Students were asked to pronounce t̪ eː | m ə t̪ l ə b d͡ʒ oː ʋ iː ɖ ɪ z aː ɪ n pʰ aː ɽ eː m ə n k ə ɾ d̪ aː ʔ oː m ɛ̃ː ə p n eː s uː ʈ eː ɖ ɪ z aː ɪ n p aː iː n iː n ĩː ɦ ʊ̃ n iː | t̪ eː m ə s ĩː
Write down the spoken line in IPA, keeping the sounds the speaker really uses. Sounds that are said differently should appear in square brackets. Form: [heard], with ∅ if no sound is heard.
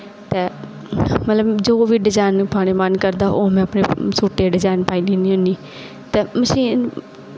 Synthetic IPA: t̪ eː | m ə t̪ l ə b d͡ʒ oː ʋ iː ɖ ɪ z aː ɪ n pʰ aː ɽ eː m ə n k ə ɾ d̪ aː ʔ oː m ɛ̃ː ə p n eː s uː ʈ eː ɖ ɪ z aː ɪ n p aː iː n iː n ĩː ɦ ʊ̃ n iː | t̪ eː m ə s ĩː